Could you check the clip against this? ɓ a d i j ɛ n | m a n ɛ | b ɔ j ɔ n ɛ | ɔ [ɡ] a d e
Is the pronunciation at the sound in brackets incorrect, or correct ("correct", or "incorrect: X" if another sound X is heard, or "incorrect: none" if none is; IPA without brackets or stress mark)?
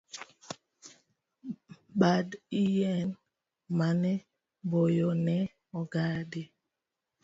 correct